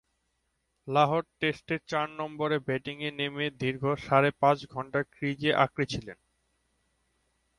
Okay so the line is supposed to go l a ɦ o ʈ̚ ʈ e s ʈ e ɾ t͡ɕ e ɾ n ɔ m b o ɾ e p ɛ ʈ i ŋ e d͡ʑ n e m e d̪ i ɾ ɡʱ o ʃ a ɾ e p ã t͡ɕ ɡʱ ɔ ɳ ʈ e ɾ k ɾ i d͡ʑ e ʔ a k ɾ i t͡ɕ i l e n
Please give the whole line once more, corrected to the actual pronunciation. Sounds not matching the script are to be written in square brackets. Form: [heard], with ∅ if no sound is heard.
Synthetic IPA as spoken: l a ɦ o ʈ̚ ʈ e s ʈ e ɾ t͡ɕ [a] ɾ n ɔ m b o ɾ e [b] ɛ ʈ i ŋ e [∅] n e m e d̪ i ɾ ɡʱ o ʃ a ɾ e p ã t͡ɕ ɡʱ ɔ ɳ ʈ [a] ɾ k ɾ i d͡ʑ e ʔ a k ɾ i [t͡ɕʰ] i l e n